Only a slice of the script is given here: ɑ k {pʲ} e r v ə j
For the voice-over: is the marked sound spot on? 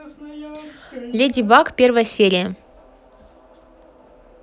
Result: yes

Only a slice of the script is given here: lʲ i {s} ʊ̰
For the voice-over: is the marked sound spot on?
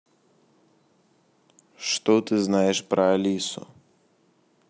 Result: yes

